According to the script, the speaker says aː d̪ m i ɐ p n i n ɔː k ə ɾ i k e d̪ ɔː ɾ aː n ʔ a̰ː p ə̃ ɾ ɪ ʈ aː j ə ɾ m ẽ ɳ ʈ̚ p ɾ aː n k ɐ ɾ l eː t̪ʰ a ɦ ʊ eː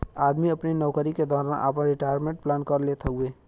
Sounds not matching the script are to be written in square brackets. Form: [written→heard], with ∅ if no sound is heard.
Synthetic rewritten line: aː d̪ m i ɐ p n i n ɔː k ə ɾ i k e d̪ ɔː ɾ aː n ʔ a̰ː p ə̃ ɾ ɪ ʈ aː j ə ɾ m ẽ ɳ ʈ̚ p [ɾ→l] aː n k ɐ ɾ l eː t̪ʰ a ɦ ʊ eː